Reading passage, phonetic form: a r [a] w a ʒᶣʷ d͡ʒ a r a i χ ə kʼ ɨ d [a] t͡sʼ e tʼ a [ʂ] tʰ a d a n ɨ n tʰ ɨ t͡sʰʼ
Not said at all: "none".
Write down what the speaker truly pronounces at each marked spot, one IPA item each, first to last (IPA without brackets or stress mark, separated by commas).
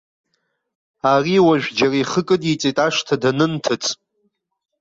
i, i, ʂ